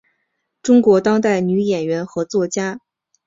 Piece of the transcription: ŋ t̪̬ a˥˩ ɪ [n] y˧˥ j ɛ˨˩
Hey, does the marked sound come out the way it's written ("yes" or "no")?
yes